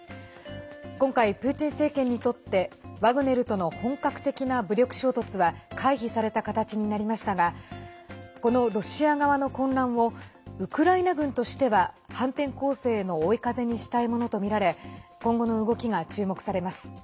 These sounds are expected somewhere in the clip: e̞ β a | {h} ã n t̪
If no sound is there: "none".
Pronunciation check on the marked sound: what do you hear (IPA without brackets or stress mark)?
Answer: h